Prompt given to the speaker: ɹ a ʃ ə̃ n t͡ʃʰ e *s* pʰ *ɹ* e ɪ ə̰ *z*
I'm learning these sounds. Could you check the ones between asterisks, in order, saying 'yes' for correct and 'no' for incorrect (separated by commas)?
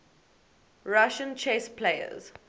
yes, no, yes